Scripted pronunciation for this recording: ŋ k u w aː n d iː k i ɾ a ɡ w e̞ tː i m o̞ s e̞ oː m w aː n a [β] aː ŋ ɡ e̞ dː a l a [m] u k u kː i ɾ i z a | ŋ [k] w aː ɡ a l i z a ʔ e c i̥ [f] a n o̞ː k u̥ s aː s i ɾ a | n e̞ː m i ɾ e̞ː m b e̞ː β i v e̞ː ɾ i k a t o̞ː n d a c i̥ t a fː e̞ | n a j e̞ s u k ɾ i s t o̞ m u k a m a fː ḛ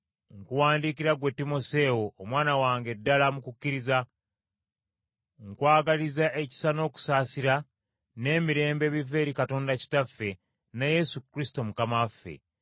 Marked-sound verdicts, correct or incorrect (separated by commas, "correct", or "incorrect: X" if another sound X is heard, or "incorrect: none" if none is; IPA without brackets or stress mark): incorrect: w, correct, correct, incorrect: s